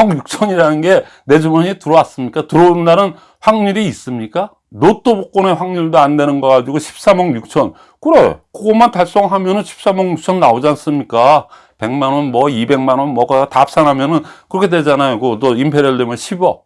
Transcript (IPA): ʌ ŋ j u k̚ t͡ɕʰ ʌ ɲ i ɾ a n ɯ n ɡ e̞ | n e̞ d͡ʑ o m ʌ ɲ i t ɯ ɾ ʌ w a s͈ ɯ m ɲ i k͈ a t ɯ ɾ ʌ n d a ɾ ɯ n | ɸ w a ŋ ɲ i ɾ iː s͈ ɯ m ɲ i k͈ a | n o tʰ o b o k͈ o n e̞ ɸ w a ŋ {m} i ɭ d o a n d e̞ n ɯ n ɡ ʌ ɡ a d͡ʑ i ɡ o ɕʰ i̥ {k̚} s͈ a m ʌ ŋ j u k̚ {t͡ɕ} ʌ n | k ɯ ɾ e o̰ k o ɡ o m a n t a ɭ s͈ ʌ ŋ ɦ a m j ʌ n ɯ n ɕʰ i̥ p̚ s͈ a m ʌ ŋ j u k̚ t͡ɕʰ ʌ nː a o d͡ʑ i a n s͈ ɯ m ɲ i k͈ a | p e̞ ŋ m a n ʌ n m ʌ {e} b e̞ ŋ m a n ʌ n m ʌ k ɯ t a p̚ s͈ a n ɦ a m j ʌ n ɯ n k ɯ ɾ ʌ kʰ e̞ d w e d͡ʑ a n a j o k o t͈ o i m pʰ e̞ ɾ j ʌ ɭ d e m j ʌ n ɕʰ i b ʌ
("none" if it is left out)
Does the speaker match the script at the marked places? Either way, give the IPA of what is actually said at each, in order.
ɲ, p̚, t͡ɕʰ, i

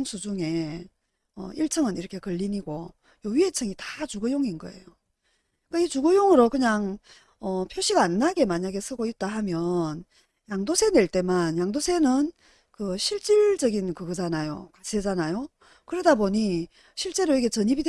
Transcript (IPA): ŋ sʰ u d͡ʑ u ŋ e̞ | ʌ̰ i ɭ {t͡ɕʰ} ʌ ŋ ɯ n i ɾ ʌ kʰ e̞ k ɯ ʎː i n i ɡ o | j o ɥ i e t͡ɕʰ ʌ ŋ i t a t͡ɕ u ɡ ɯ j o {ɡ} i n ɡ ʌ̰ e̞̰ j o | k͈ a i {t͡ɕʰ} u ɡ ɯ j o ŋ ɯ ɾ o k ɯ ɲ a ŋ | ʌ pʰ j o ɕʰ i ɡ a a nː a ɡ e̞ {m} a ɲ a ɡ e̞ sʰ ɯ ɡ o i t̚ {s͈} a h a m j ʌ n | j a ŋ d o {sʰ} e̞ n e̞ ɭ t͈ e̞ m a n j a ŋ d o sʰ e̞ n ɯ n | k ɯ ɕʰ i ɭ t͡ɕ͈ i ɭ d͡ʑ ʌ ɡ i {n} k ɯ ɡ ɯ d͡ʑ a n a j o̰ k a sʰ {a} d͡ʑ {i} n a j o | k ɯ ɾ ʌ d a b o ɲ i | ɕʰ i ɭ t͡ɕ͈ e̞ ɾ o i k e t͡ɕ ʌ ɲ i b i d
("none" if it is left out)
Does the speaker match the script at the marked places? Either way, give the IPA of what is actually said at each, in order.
t͡ɕʰ, ŋ, t͡ɕ, m, t͈, sʰ, n, e, a

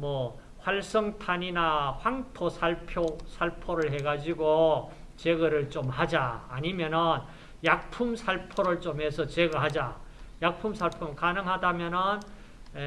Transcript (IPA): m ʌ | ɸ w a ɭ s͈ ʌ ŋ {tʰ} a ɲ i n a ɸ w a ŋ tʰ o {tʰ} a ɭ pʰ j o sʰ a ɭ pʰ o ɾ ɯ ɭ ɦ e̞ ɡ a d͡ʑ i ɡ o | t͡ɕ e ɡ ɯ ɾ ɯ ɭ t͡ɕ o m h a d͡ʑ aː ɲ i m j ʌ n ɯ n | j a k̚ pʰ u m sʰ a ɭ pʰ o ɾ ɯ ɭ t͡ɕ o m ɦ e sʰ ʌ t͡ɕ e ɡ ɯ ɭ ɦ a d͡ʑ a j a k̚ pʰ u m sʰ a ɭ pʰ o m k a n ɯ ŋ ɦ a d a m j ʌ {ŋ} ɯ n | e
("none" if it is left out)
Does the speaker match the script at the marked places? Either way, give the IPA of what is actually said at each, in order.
tʰ, sʰ, n

